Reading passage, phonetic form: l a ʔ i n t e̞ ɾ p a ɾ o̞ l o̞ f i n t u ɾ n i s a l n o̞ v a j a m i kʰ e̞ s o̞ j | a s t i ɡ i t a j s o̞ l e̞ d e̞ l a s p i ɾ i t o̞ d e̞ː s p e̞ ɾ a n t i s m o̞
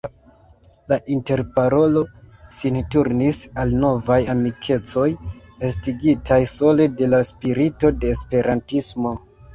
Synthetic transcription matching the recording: l a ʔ i n t e̞ ɾ p a ɾ o̞ l o̞ s i n t u ɾ n i s a l n o̞ v a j a m i kʰ e̞ t͡s o̞ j | e s t i ɡ i t a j s o̞ l e̞ d e̞ l a s p i ɾ i t o̞ d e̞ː s p e̞ ɾ a n t i s m o̞